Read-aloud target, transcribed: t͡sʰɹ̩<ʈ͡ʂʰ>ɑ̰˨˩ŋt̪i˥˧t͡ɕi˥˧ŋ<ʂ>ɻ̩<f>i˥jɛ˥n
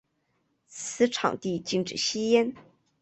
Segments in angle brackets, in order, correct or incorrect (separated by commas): correct, incorrect, incorrect